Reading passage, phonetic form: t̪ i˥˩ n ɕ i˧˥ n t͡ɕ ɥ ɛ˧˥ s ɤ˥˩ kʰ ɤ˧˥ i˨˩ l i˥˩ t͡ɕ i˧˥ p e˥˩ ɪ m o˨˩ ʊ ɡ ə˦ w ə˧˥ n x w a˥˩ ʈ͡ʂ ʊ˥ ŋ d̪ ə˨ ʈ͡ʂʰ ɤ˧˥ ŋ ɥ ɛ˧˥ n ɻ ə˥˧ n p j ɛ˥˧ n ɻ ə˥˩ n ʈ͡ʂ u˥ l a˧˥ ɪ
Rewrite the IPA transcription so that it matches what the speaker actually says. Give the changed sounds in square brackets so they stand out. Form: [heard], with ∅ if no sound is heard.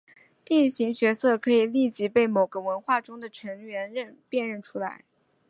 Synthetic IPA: t̪ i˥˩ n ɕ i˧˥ [ŋ] t͡ɕ ɥ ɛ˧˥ s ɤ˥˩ kʰ ɤ˧˥ i˨˩ l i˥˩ t͡ɕ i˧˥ p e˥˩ ɪ m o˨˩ ʊ ɡ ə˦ w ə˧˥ n x w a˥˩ ʈ͡ʂ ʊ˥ ŋ d̪ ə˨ ʈ͡ʂʰ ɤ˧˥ ŋ ɥ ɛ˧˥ n ɻ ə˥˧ n p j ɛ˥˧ n ɻ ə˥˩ n [ʈ͡ʂʰ] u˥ l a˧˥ ɪ